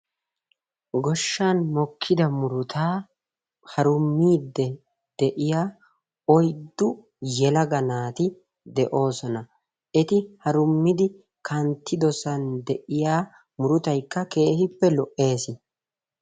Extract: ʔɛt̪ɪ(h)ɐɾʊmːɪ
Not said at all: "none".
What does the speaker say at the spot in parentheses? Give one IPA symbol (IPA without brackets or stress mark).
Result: h